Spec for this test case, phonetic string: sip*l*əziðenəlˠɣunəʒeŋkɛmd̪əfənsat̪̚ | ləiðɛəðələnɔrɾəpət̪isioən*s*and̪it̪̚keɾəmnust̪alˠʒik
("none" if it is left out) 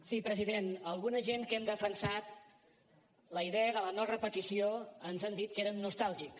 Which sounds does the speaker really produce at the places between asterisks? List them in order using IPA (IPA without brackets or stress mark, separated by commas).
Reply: ɾ, z